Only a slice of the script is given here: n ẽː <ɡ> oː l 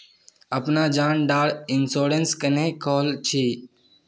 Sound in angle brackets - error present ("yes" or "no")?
yes